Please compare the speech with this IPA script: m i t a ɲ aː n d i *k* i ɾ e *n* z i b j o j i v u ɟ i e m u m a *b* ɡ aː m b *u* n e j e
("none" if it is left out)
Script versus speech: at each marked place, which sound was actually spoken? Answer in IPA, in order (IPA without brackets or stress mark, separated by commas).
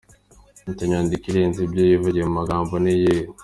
k, n, none, o